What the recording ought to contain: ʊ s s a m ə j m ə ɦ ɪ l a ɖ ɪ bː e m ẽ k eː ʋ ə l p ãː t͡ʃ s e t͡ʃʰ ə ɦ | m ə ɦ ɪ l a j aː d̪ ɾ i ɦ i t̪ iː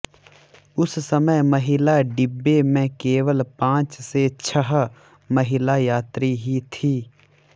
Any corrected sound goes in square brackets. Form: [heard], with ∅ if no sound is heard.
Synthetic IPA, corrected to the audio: ʊ s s [ə] m ə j m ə ɦ ɪ l a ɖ ɪ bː e m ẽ k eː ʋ ə l p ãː t͡ʃ s e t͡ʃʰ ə ɦ | m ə ɦ ɪ l a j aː [t̪] ɾ i ɦ i [t̪ʰ] iː